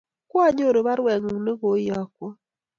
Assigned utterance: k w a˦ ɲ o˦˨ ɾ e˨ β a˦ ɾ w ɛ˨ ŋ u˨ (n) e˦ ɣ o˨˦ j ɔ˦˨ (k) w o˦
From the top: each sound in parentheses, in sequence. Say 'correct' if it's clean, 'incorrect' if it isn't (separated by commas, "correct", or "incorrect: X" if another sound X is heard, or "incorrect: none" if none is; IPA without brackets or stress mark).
correct, correct